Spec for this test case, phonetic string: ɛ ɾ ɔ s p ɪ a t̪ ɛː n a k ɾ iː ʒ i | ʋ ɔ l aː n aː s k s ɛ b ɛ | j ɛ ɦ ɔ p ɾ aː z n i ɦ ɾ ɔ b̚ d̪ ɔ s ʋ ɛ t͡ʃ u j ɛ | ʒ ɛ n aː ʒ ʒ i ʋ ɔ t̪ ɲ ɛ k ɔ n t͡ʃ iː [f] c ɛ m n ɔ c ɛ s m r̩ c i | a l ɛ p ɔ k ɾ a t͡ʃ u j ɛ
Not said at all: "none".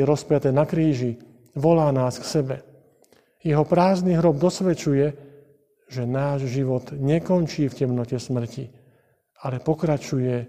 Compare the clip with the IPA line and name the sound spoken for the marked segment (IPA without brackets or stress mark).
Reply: f